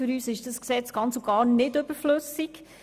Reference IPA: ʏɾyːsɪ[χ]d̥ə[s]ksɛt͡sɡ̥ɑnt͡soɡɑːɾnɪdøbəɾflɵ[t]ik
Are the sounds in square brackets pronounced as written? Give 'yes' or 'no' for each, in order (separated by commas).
no, yes, no